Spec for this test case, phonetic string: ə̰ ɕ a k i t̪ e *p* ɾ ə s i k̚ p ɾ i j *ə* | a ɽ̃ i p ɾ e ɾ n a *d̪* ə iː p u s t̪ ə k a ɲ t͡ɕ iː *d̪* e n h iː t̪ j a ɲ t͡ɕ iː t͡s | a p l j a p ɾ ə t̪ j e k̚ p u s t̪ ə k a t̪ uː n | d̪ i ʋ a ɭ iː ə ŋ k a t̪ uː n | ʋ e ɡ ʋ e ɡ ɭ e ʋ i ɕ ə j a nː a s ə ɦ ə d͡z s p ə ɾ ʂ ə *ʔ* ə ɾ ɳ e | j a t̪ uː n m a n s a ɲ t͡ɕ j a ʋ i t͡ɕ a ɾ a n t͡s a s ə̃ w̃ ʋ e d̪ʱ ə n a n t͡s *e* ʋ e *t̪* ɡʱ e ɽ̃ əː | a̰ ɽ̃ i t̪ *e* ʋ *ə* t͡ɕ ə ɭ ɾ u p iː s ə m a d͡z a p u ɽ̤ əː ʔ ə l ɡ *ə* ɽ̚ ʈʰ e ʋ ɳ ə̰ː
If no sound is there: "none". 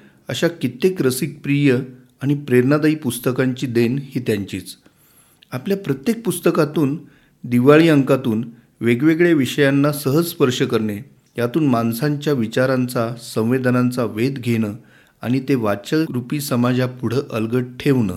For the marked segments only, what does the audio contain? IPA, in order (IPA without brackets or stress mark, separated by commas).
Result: k, ə, d̪, d̪, k, a, d̪, e, a, ə